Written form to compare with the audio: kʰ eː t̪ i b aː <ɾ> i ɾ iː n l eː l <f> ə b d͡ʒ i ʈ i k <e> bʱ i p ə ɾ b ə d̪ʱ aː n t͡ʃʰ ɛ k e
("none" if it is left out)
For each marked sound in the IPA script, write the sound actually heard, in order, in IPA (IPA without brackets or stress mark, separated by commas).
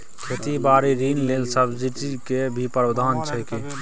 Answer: ɾ, s, e